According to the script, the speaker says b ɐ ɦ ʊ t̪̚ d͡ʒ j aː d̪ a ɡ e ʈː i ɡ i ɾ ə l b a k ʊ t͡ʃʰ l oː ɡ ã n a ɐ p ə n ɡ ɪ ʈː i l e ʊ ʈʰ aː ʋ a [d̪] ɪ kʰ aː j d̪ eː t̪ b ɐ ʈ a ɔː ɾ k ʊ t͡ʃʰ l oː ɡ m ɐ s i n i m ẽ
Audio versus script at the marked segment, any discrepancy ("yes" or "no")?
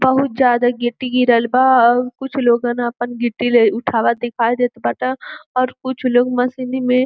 no